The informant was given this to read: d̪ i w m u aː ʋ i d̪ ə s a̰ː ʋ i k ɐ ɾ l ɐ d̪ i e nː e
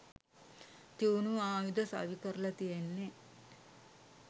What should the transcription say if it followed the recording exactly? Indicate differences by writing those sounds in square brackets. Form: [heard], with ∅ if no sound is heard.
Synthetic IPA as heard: [t̪] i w [n] u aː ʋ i d̪ [ɐ] s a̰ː ʋ i k ɐ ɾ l ɐ [t̪] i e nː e

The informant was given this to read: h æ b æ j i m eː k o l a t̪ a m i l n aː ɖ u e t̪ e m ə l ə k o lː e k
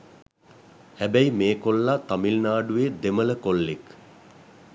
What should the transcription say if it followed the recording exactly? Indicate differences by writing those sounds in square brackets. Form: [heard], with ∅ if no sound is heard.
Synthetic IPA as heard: h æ b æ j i m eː k o [lː] a t̪ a m i l n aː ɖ u e [d̪] e m ə l ə k o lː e k

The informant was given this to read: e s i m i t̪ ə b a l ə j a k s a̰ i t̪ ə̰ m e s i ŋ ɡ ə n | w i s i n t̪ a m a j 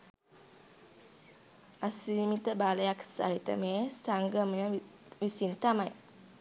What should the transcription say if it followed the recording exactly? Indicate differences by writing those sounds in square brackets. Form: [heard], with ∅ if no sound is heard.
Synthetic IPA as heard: [a] s i m i t̪ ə b a l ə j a k s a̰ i t̪ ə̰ m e s [a] ŋ ɡ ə [m] | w i s i n t̪ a m a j

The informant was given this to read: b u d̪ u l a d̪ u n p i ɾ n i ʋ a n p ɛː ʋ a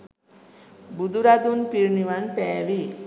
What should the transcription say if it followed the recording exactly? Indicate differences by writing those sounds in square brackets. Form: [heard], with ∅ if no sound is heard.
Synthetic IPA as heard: b u d̪ u [ɾ] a d̪ u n p i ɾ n i ʋ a n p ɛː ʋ [i]

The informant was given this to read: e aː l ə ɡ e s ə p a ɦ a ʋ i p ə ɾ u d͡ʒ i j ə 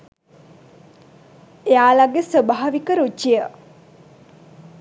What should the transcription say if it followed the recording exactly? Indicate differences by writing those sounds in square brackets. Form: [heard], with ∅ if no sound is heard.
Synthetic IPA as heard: e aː l [a] ɡ e s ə [b] a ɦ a ʋ i [k] ə ɾ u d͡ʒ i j ə

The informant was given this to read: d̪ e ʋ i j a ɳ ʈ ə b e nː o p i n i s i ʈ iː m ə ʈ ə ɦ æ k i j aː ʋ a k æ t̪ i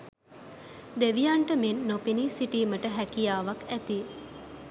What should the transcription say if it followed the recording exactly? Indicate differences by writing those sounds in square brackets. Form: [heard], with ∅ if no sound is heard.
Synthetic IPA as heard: d̪ e ʋ i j a ɳ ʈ ə [m] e nː o p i n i s i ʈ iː m ə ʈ ə ɦ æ k i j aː ʋ a k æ t̪ i

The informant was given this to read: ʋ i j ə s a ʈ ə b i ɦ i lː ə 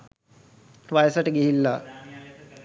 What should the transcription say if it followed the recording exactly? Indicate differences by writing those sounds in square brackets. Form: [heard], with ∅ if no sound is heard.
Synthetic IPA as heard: ʋ [a] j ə s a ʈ ə [ɡ] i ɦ i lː [a]

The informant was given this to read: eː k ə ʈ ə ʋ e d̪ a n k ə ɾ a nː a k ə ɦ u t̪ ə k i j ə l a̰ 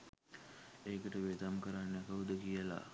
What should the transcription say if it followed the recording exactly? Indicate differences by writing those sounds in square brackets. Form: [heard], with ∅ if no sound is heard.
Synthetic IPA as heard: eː k ə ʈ ə ʋ e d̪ a [m] k ə ɾ a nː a k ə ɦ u [d̪] ə k i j ə l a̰

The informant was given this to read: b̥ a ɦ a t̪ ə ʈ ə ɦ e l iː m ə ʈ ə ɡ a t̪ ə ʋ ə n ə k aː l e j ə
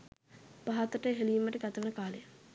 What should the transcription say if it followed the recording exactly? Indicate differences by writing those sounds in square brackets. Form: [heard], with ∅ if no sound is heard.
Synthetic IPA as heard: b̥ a ɦ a t̪ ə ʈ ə ɦ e l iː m ə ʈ ə ɡ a t̪ ə ʋ ə n ə k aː l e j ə

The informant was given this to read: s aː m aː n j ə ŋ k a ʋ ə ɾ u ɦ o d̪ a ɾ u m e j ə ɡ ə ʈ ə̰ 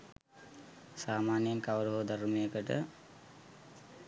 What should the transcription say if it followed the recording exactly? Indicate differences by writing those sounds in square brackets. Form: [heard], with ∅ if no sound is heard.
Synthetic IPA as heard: s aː m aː n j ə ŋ k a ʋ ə ɾ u ɦ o d̪ a ɾ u m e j ə [k] ə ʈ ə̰

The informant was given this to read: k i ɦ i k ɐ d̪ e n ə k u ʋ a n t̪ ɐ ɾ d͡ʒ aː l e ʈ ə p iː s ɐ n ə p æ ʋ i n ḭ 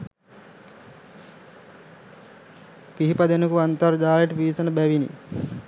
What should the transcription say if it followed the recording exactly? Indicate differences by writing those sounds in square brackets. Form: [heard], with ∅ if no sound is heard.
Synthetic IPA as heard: k i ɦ i [p] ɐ d̪ e n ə k u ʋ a n t̪ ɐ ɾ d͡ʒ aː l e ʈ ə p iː s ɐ n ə [b] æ ʋ i n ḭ

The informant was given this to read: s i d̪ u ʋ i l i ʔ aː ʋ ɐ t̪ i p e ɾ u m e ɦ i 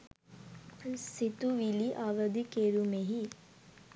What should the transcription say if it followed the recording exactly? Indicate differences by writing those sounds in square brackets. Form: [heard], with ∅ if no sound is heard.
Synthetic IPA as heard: s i [t̪] u ʋ i l i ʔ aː ʋ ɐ [d̪] i [k] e ɾ u m e ɦ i

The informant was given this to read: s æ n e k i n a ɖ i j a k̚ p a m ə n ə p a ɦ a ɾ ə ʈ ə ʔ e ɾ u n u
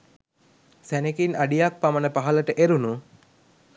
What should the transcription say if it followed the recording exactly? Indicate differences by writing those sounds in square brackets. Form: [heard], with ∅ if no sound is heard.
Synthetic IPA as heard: s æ n e k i n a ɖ i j a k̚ p a m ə n ə p a ɦ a [l] ə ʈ ə ʔ e ɾ u n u

